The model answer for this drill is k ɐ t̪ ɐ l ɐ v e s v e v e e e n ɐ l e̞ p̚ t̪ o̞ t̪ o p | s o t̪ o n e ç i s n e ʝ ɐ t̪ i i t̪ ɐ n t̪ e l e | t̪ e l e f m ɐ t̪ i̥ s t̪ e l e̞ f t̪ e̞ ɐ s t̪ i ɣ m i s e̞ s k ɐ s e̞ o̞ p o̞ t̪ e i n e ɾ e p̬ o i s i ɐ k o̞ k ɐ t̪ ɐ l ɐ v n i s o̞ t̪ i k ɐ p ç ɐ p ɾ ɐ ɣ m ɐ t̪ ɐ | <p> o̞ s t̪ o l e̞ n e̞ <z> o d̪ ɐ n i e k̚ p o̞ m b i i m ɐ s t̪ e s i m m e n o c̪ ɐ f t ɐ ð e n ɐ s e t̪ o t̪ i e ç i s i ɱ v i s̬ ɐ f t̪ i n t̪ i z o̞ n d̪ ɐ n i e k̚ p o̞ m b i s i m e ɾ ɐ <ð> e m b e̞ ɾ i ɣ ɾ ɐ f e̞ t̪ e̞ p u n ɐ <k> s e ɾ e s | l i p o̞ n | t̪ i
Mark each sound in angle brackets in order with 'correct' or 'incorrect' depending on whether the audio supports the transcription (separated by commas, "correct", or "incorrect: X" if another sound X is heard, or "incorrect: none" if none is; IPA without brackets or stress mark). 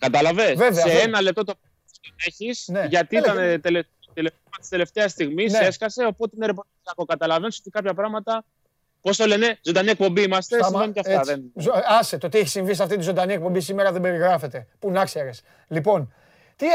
correct, correct, correct, correct